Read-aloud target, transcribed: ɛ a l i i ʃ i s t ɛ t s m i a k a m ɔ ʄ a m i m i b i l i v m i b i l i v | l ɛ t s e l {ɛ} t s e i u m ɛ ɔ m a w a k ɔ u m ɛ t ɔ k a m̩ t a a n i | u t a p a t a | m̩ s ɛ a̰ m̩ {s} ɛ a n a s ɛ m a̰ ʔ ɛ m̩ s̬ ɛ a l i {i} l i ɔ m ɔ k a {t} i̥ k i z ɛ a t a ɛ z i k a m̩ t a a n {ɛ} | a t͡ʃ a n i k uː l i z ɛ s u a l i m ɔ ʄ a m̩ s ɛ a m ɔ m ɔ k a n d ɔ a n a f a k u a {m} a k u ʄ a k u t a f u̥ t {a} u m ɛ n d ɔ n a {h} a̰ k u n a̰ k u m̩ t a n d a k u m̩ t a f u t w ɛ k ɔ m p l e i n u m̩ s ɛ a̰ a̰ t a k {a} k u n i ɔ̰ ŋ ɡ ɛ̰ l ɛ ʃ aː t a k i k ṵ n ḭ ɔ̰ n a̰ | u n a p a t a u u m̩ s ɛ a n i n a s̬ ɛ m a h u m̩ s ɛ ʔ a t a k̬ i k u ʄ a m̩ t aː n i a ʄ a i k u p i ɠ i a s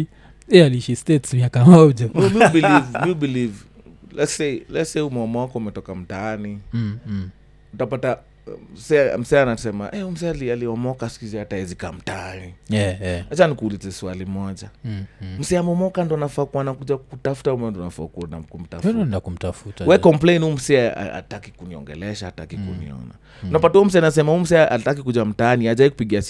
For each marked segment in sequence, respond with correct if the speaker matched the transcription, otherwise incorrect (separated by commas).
correct, correct, incorrect, incorrect, incorrect, incorrect, correct, incorrect, incorrect